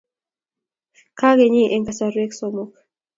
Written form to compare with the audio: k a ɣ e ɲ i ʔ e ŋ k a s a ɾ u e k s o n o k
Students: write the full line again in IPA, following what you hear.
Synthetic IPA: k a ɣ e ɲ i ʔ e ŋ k a s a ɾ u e k s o m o k

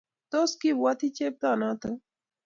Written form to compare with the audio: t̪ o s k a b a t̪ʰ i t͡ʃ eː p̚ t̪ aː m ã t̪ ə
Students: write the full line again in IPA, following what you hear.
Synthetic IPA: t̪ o s k i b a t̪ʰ i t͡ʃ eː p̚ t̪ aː n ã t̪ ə

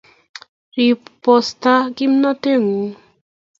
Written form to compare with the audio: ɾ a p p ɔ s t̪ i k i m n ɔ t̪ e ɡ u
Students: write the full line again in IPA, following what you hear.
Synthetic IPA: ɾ i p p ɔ s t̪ a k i m n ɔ t̪ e ŋ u

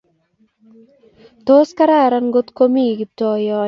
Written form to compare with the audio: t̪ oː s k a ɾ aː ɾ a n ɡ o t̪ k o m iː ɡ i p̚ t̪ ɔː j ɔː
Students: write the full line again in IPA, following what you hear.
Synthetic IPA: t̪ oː s k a ɾ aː ɾ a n ɡ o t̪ k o m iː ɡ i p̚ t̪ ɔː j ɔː

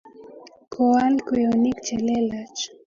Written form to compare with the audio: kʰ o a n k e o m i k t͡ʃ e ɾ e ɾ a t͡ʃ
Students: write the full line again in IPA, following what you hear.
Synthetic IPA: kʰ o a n k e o n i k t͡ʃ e l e l a t͡ʃ

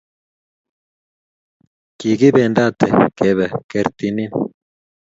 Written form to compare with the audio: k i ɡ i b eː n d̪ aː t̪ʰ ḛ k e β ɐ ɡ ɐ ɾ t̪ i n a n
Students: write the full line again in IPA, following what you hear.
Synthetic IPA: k i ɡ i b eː n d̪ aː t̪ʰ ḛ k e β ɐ k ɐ ɾ t̪ i n i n

